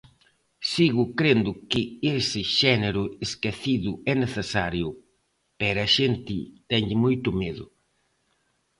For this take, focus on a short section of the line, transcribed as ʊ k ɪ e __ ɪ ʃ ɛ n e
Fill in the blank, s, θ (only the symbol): s